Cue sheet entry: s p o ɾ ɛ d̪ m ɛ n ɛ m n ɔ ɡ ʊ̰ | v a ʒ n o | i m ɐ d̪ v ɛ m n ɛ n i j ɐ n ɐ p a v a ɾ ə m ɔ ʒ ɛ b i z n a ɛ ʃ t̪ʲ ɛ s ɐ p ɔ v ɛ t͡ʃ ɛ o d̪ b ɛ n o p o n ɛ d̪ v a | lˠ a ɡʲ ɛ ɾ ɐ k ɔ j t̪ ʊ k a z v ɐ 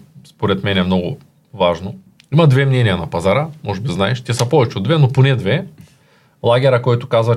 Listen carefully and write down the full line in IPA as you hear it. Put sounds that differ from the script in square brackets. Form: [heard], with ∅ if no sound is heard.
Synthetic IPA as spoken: s p o ɾ ɛ [t̪] m ɛ n ɛ m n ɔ ɡ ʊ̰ | v a ʒ n o | i m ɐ d̪ v ɛ m n ɛ n i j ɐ n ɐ p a [z] a ɾ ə m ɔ ʒ ɛ b i z n a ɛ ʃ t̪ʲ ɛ s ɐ p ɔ v ɛ t͡ʃ ɛ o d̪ [v] ɛ n o p o n ɛ d̪ v [ɛ] | lˠ a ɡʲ ɛ ɾ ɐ k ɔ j t̪ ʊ k a z v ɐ